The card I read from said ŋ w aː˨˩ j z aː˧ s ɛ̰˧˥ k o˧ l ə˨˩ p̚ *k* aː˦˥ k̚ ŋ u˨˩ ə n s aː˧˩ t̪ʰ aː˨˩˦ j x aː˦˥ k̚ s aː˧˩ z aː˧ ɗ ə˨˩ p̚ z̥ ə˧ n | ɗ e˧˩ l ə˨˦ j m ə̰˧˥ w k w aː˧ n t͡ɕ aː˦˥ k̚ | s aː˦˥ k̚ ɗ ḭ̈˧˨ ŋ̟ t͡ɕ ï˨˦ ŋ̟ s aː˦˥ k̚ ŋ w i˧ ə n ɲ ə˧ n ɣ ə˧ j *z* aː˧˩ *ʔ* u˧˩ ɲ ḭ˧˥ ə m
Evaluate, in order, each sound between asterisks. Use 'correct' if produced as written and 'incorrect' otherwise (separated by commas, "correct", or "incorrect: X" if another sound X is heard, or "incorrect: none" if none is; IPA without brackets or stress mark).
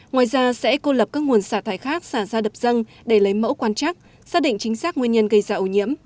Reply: correct, correct, correct